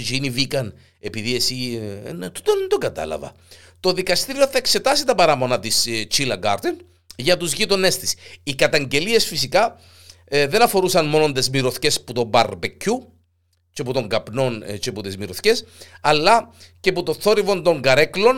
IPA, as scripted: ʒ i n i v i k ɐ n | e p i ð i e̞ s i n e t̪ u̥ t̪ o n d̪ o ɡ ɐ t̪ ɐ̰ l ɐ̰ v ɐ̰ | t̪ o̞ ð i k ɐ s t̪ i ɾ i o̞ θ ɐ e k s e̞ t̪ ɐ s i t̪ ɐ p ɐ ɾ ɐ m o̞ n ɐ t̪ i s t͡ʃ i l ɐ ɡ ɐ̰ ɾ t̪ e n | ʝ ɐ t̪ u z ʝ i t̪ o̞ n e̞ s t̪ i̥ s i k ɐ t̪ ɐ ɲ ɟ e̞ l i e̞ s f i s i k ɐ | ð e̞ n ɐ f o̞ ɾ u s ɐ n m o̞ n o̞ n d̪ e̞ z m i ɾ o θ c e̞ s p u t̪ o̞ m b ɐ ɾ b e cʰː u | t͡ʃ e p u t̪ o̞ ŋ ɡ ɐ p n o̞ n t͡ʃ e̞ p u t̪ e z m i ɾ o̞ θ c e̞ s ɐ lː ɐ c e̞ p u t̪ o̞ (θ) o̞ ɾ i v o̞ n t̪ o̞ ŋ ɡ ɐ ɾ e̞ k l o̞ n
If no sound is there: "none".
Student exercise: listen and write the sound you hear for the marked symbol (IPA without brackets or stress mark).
θ